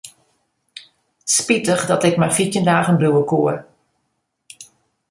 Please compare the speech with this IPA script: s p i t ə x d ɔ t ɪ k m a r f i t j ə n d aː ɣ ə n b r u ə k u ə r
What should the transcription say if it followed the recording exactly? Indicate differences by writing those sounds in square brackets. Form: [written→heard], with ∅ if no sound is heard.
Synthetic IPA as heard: s p i t ə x d ɔ t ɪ k m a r f i t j ə n d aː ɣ ə n b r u ə k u ə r